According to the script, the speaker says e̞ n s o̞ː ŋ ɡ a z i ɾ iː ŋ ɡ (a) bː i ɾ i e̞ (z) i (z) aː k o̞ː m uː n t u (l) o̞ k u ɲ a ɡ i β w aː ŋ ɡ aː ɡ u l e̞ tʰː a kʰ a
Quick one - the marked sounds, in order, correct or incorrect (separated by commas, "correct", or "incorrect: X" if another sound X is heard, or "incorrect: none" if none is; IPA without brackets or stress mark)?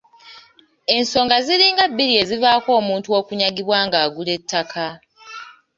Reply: correct, correct, incorrect: v, incorrect: none